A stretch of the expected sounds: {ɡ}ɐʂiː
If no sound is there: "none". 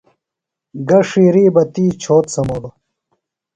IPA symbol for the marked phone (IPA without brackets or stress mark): ɡ